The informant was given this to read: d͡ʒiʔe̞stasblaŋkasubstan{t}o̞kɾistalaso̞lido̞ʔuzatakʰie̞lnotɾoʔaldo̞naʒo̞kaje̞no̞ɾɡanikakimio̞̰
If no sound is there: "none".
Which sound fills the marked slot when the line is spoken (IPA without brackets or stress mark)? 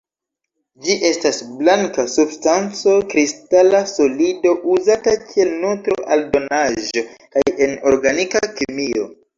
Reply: t͡s